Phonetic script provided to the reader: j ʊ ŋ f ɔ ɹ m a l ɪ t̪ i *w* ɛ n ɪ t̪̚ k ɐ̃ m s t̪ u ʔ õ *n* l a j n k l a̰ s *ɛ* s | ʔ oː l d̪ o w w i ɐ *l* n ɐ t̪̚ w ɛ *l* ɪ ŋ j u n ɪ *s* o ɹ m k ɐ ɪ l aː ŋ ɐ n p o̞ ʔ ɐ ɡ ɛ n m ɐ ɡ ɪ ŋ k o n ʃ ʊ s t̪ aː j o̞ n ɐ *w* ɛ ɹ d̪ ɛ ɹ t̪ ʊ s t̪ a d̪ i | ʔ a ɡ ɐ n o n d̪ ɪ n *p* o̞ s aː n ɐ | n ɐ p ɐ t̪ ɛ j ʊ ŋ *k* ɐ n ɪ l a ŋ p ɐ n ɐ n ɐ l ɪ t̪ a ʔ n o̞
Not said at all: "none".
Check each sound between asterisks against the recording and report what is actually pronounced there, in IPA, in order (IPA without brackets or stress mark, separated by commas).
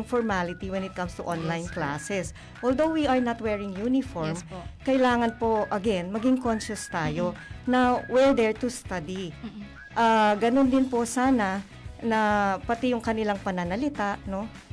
w, n, ɛ, ɹ, ɹ, f, w, p, k